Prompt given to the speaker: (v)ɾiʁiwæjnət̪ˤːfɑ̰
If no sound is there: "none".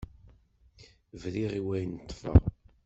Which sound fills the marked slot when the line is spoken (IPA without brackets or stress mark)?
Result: v